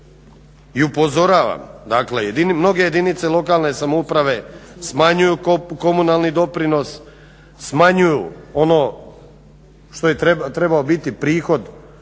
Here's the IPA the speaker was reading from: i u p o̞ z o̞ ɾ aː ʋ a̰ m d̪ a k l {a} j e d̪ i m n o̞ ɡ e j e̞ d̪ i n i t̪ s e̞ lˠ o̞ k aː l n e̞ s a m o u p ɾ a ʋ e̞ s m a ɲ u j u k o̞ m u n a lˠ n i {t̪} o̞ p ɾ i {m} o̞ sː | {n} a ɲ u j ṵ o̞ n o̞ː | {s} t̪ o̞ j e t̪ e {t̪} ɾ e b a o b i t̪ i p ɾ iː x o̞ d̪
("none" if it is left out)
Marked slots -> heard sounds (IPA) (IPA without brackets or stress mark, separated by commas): e, d̪, n, m, ʃ, t̪